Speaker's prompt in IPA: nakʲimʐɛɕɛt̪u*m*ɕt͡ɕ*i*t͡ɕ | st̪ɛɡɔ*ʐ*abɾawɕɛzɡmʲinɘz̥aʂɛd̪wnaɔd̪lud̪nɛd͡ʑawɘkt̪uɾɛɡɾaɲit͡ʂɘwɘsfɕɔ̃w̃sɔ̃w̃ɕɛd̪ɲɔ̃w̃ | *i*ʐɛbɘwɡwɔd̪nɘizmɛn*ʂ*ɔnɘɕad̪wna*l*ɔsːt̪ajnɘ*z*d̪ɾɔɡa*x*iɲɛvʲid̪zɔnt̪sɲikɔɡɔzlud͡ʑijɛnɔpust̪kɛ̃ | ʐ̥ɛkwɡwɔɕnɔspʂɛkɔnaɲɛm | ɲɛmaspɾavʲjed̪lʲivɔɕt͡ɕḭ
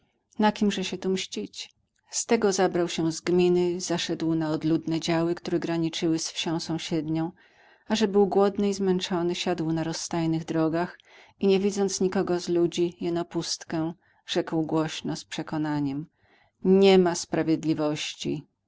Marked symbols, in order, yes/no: yes, yes, no, no, no, no, no, yes

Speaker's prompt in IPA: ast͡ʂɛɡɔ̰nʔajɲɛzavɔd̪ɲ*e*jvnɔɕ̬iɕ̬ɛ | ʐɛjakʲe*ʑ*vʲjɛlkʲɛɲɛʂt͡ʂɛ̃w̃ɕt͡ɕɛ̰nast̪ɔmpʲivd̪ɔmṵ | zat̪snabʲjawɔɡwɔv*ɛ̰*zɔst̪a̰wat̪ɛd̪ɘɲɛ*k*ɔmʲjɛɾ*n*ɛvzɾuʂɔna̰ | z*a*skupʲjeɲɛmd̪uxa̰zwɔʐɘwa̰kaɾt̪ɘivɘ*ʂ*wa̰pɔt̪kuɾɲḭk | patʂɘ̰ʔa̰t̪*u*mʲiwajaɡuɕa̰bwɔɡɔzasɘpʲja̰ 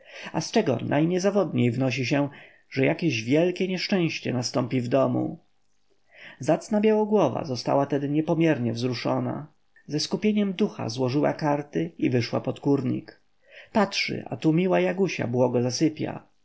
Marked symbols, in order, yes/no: yes, yes, no, no, no, no, yes, yes

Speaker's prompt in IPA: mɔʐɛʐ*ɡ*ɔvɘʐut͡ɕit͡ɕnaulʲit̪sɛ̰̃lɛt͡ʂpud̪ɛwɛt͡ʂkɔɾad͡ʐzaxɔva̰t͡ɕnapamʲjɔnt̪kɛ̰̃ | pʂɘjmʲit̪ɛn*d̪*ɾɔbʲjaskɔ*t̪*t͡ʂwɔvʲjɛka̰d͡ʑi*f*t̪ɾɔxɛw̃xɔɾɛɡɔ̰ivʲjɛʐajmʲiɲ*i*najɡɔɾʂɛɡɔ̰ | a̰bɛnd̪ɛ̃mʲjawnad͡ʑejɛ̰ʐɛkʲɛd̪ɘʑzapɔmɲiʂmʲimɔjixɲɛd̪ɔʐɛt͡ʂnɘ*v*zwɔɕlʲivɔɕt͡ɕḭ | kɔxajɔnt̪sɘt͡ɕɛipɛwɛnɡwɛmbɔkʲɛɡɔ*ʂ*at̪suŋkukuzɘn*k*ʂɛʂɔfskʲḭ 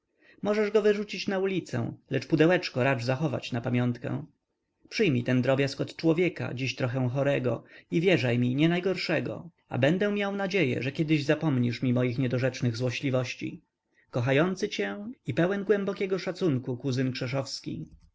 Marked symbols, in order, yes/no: yes, yes, yes, no, no, no, yes, yes

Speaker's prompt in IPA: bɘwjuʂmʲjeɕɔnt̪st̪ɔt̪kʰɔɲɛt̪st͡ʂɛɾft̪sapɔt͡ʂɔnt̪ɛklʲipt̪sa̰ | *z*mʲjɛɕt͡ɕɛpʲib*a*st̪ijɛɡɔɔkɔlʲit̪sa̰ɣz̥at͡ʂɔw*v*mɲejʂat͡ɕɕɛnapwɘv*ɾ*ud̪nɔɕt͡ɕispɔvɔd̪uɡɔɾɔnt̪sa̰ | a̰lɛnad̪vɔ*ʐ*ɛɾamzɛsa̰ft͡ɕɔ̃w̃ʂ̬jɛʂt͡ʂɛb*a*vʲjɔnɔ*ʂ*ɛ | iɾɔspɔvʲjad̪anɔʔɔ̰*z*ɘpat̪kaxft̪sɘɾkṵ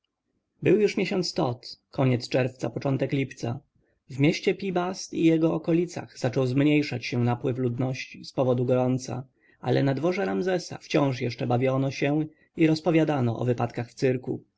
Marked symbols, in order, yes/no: no, yes, no, no, yes, yes, no, no

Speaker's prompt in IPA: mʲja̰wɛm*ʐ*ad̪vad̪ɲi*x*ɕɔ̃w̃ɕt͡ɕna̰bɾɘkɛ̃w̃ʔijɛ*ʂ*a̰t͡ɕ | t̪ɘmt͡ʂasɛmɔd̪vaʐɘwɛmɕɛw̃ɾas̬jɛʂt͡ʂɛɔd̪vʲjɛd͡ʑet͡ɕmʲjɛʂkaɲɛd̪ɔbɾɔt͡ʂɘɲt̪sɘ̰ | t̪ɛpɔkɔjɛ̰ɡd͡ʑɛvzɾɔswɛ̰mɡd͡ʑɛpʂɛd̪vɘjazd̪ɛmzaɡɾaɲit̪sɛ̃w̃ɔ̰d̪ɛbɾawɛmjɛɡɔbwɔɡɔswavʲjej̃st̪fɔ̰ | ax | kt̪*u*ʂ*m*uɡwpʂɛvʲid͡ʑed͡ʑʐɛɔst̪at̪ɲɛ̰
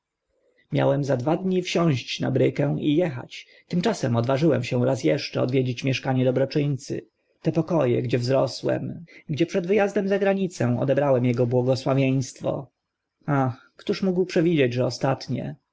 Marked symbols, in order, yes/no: no, no, no, yes, yes

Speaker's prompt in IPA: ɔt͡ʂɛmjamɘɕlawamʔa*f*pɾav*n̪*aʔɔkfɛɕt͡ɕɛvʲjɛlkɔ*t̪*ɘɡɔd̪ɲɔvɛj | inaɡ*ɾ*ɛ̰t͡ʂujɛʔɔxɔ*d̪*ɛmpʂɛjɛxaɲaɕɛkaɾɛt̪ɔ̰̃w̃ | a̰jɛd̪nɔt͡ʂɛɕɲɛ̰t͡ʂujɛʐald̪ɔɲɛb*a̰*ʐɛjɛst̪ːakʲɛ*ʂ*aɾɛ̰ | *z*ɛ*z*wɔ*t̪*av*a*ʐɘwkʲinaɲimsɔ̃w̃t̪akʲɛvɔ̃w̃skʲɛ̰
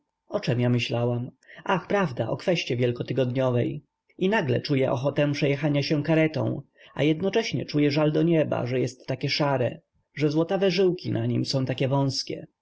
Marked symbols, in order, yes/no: no, no, yes, no, no, yes, yes, no, yes, yes, no

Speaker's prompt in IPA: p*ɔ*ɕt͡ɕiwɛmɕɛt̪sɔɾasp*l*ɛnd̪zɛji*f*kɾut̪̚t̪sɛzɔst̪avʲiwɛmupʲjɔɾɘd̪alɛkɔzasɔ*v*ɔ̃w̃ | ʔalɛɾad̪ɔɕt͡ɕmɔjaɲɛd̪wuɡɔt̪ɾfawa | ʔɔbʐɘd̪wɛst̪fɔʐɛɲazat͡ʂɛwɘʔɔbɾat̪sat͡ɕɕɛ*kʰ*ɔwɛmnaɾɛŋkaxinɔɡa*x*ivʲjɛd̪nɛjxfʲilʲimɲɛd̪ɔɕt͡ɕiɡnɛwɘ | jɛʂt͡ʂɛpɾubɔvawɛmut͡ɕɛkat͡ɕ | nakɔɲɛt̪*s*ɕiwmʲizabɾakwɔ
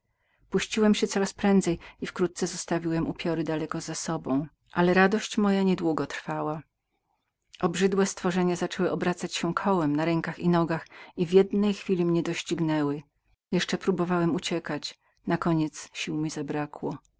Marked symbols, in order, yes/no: no, no, yes, no, yes, yes, yes

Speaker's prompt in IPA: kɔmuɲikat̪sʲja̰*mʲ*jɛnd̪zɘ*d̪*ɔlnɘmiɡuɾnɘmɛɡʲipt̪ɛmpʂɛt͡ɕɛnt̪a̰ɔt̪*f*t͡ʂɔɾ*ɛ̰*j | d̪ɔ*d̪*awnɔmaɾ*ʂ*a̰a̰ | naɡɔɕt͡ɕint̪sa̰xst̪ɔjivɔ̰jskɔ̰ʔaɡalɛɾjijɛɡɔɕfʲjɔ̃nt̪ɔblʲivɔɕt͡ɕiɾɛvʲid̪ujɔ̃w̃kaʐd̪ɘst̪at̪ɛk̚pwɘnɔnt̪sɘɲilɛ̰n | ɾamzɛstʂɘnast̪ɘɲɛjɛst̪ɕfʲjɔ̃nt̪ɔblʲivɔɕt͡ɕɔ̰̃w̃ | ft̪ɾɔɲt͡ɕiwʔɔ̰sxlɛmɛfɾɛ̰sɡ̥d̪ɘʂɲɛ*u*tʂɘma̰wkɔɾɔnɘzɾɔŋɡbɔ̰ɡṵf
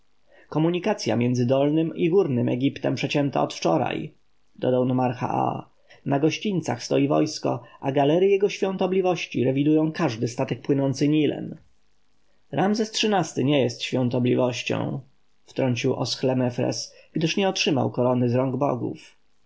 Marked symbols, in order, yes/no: yes, yes, yes, no, yes, no, no

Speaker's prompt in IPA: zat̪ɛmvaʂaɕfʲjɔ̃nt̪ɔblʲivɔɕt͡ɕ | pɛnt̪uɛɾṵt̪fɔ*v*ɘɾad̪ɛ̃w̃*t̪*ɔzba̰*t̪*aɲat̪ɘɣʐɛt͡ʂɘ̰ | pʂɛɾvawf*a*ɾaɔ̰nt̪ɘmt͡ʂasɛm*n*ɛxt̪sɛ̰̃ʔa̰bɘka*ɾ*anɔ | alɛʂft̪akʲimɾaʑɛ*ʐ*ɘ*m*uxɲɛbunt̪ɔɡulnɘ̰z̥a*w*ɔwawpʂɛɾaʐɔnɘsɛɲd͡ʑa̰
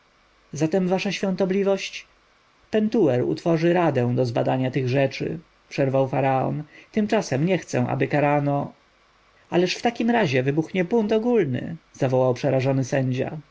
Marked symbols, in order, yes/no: no, no, no, yes, no, yes, no, no, no

